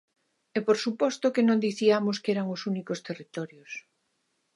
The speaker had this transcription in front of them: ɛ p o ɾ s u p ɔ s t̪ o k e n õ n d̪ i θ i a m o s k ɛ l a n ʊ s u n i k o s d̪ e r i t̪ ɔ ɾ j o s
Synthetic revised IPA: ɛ p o ɾ s u p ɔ s t̪ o k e n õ n d̪ i θ i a m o s k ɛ ɾ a ŋ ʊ s u n i k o s t̪ e r i t̪ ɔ ɾ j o s

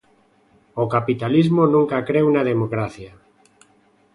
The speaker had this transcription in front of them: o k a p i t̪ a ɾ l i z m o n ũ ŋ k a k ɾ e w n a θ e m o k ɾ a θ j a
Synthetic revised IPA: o k a p i t̪ a l i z m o n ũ ŋ k a k ɾ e w n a ð e m o k ɾ a θ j a

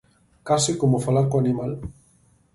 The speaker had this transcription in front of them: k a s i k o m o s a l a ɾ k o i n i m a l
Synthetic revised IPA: k a s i k o m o f a l a ɾ k o a n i m a l

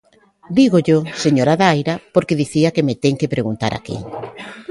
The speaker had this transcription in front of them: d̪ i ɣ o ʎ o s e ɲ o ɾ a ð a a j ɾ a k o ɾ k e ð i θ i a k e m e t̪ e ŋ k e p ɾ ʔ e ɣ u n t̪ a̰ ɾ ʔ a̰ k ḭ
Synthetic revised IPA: d̪ i ɣ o ʎ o s e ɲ o ɾ a ð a a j ɾ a p o ɾ k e ð i θ i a k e m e t̪ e ŋ k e p ɾ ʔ e ɣ u n t̪ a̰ ɾ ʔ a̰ k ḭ

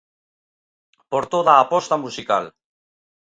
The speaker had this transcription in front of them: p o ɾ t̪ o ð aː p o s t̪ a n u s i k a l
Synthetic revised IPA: p o ɾ t̪ o ð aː p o s t̪ a m u s i k a l

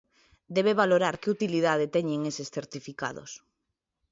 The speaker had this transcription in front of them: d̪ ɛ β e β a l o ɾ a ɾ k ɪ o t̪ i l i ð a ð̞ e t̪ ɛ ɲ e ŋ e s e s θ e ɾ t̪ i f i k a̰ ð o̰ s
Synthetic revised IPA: d̪ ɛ β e β a l o ɾ a ɾ k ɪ u t̪ i l i ð a ð̞ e t̪ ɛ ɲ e ŋ e s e s θ e ɾ t̪ i f i k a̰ ð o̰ s

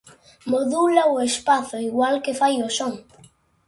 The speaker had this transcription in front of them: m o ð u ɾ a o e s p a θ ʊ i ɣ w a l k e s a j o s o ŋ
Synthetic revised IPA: m o ð u l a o e s p a θ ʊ i ɣ w a l k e f a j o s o ŋ

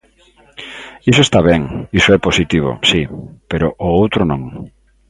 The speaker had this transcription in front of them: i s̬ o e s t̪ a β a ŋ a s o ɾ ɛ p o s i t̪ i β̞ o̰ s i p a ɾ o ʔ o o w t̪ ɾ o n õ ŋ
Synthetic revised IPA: i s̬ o e s t̪ a β ɛ ŋ i s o ɛ p o s i t̪ i β̞ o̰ s i p e ɾ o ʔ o o w t̪ ɾ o n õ ŋ

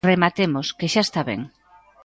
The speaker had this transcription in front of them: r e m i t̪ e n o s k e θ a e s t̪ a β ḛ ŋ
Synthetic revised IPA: r e m a t̪ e m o s k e ʃ a e s t̪ a β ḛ ŋ

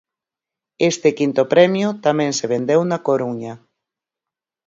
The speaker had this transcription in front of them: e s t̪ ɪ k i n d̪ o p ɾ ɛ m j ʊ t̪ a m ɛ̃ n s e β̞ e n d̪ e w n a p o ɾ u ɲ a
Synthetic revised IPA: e s t̪ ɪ k i n t̪ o p ɾ ɛ m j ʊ t̪ a m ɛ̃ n s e β̞ e n d̪ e w n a k o ɾ u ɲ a

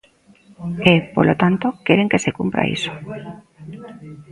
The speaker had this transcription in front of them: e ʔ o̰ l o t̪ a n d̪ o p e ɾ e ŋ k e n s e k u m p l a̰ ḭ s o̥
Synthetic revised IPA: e p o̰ l o t̪ a n t̪ o k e ɾ e ŋ k e s e k u m p ɾ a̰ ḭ s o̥

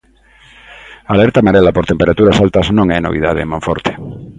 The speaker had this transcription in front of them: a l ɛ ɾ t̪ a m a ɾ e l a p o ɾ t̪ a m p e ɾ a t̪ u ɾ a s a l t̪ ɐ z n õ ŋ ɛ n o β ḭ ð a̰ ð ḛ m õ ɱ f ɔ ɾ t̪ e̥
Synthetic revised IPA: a l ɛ ɾ t̪ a m a ɾ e l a p o ɾ t̪ e m p e ɾ a t̪ u ɾ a s a l t̪ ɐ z n õ ŋ ɛ n o β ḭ ð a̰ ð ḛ m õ ɱ f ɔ ɾ t̪ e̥

